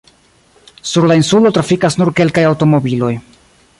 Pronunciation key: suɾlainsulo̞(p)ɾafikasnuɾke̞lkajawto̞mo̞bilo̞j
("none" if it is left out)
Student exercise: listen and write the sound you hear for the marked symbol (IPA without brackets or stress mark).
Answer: t